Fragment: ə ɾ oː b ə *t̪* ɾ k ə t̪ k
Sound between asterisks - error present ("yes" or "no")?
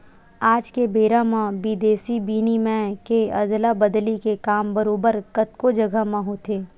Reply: yes